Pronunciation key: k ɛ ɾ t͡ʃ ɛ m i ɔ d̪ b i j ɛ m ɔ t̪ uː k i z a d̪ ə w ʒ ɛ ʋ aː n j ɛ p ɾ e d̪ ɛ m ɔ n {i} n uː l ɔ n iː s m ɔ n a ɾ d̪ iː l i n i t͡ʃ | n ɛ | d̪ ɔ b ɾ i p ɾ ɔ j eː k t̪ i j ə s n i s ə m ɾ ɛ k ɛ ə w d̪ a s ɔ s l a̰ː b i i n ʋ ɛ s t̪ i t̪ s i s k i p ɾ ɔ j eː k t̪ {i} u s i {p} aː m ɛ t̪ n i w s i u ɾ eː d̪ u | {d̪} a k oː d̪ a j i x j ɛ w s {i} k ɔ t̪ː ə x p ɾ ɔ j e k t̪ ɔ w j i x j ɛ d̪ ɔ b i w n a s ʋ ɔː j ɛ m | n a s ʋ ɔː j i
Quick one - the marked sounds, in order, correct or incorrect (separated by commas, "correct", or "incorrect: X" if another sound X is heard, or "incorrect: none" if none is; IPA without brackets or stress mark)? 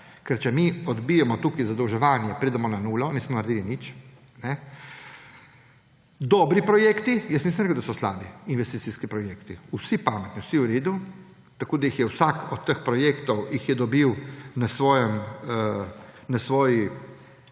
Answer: incorrect: a, correct, correct, incorrect: t̪, incorrect: a